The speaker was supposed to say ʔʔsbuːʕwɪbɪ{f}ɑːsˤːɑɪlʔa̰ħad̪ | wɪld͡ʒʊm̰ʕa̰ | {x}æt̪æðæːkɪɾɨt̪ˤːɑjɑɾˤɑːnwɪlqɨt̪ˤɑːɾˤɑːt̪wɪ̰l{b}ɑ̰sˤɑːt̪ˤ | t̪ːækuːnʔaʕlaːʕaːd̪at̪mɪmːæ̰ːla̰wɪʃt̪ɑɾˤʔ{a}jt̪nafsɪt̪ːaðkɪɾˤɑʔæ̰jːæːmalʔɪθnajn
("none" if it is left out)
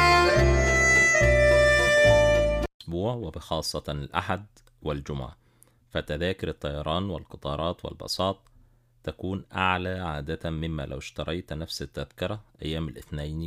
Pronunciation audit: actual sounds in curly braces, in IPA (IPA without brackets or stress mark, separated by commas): x, f, b, ɑ